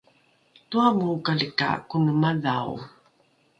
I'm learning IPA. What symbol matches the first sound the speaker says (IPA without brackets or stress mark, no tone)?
t